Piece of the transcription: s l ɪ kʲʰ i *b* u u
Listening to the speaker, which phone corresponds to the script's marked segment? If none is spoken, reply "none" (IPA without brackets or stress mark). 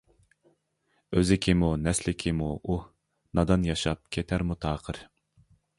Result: m